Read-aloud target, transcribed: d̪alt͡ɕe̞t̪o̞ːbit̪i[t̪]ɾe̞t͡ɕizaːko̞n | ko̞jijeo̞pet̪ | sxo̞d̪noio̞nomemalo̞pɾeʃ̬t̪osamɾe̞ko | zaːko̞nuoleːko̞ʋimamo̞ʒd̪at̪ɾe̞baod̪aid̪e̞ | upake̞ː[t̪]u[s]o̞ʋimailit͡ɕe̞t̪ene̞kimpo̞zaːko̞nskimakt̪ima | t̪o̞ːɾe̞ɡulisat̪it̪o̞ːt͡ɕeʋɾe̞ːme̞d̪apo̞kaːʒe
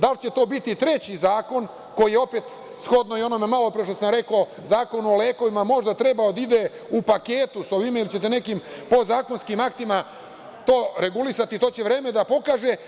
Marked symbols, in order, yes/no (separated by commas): yes, yes, yes